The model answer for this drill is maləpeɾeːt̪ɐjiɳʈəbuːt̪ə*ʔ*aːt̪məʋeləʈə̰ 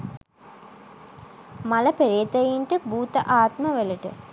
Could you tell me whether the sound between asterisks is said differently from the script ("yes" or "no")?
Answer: no